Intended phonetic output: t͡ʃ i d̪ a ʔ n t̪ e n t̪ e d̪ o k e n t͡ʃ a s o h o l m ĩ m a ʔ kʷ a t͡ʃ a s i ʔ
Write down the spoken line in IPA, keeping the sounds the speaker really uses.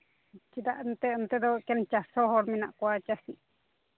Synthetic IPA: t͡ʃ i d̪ a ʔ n t̪ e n t̪ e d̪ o k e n t͡ʃ a s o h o ɾ m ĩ n a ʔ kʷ a t͡ʃ a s i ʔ